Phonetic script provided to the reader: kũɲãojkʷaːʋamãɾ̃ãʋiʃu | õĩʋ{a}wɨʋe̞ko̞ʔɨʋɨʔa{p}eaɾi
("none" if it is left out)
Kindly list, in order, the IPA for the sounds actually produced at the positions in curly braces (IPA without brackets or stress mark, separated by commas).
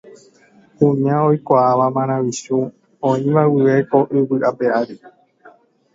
a, p